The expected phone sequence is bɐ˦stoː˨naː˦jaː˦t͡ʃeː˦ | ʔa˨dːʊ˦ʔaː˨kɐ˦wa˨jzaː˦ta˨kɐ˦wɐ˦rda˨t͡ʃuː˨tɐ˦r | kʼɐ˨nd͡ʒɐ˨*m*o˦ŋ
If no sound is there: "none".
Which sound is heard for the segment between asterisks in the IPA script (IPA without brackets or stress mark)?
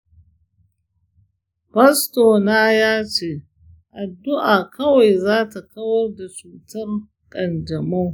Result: m